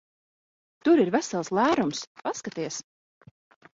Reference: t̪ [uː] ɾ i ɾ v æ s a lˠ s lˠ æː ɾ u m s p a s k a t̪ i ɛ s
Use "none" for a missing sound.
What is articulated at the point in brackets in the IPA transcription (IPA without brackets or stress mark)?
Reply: u